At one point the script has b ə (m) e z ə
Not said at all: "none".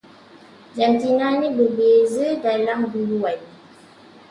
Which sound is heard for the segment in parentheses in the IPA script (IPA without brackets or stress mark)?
b